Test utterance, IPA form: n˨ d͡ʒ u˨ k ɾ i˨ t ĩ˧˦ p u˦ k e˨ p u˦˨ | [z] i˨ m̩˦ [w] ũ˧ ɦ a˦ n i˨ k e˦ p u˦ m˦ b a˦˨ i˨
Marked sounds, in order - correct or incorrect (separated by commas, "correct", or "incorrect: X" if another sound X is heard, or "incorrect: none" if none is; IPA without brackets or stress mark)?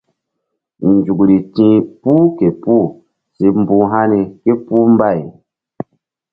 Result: incorrect: s, incorrect: b